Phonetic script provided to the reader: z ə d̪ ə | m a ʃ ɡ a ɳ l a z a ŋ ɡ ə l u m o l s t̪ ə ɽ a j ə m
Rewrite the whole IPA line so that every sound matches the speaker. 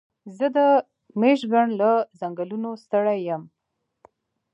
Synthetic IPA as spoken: z ə d̪ ə | m e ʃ ɡ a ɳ l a z a ŋ ɡ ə l u n o s t̪ ə ɽ a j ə m

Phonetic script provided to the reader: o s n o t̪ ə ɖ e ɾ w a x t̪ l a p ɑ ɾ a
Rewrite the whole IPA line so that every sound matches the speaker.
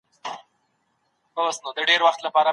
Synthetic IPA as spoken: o s n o d̪ ə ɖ e ɾ w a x t̪ l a p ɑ ɾ a

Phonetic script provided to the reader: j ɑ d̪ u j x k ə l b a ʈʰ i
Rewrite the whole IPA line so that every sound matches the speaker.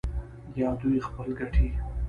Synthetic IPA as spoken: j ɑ d̪ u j x p ə l ɡ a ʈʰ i

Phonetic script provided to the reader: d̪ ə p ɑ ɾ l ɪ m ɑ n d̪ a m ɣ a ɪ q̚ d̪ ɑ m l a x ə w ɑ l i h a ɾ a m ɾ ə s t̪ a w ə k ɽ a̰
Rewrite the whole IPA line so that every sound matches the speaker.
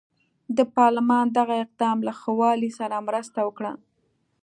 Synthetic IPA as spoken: d̪ ə p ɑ ɾ l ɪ m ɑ n d̪ a ɣ a ɪ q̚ d̪ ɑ m l a x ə w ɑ l i s a ɾ a m ɾ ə s t̪ a w ə k ɽ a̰

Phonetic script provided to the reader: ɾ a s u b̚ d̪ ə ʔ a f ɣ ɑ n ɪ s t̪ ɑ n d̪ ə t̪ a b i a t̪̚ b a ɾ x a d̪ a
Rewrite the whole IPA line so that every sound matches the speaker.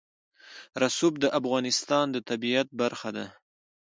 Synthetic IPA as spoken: ɾ a s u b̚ d̪ ə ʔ a f ɣ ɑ n ɪ s t̪ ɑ n d̪ ə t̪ a b i a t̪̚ b a ɾ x a d̪ a

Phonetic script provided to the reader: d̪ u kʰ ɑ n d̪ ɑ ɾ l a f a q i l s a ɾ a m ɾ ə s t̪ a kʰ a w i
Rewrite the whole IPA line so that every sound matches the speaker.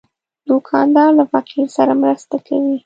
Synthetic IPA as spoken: d̪ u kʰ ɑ n d̪ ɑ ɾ l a f a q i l s a ɾ a m ɾ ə s t̪ a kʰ a w i

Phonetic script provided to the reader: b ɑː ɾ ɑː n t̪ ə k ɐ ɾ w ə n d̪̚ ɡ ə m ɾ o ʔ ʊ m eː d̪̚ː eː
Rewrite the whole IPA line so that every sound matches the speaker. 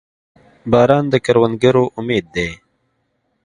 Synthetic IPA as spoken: b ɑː ɾ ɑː n d̪ ə k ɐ ɾ w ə n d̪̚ ɡ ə ɾ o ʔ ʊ m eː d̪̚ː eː

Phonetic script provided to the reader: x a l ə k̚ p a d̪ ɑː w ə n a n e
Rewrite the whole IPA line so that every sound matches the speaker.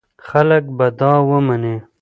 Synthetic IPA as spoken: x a l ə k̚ b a d̪ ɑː w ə m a n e

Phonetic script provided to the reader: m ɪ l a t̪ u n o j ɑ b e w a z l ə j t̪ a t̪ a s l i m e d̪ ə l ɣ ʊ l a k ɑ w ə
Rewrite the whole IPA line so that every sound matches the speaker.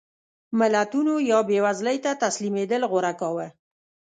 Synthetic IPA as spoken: m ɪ l a t̪ u n o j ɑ b e w a z l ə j t̪ a t̪ a s l i m e d̪ ə l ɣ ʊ ɾ a k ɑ w ə

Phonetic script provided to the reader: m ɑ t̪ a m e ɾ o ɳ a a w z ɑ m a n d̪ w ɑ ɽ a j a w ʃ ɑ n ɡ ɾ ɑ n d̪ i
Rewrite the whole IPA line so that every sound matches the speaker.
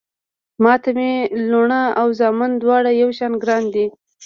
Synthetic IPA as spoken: m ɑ t̪ a m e l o ɳ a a w z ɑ m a n d̪ w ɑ ɽ a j a w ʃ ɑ n ɡ ɾ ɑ n d̪ i

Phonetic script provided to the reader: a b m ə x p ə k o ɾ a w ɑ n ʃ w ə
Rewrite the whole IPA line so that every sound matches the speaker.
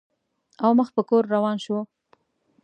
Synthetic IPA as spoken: a w m ə x p ə k o ɾː a w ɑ n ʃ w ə

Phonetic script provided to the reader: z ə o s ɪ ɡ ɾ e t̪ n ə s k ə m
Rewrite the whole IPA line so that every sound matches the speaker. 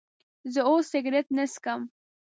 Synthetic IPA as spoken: z ə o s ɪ ɡ ɾ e t̪ n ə s k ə m

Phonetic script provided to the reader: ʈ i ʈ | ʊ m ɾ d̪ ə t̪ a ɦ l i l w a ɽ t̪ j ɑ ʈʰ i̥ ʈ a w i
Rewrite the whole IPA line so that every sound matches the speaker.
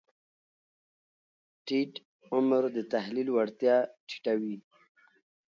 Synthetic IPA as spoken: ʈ i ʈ | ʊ m ɾ d̪ ə t̪ a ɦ l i l w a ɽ t̪ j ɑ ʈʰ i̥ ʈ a w i

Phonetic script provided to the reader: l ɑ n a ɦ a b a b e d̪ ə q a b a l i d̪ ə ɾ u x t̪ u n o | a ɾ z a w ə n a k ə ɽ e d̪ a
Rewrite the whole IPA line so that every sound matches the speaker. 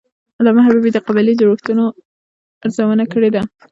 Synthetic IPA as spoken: l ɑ m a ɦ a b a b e d̪ ə q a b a l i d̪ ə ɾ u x t̪ u n o | a ɾ z a w ə n a k ə ɽ e d̪ a

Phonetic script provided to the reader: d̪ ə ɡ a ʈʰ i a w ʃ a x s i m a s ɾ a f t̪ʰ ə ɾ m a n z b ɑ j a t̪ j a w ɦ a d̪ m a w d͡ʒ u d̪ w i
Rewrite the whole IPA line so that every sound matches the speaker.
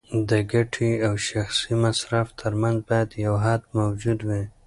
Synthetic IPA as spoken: d̪ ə ɡ a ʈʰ i a w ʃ a x s i m a s ɾ a f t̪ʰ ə ɾ m a n z b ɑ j a d̪ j a w ɦ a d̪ m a w d͡ʒ u d̪ w i

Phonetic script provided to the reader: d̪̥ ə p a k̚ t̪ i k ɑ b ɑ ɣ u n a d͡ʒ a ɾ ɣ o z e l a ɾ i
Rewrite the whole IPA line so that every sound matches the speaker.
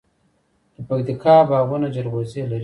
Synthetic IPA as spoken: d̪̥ ə p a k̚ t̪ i k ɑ b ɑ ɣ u n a d͡ʒ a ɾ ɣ o z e l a ɾ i

